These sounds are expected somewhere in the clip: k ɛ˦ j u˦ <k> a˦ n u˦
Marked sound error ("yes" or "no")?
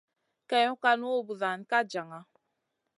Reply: no